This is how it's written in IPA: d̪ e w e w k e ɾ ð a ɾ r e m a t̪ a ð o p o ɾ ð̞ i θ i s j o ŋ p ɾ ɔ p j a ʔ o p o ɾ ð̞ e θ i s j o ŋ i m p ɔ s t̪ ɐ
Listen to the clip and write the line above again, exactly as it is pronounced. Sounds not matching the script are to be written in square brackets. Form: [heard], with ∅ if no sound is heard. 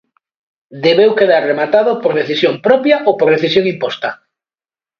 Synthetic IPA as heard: d̪ e [β] e w k e [∅] ð a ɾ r e m a t̪ a ð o p o ɾ ð̞ [e] θ i s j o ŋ p ɾ ɔ p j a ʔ o p o ɾ ð̞ e θ i s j o ŋ i m p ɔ s t̪ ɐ